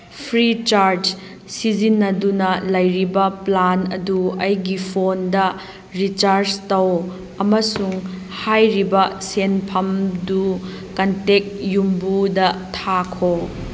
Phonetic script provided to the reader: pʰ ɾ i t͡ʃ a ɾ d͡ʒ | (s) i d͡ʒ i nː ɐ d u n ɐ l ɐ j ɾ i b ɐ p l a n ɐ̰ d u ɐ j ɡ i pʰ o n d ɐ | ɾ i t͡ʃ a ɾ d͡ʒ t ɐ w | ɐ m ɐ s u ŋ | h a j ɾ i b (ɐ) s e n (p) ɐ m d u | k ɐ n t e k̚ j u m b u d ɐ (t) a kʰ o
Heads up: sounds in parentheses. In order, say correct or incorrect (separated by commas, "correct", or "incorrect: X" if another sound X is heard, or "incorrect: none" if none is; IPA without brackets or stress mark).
correct, correct, incorrect: pʰ, incorrect: tʰ